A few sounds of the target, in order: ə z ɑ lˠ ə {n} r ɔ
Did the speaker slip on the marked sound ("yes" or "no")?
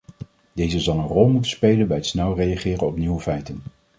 no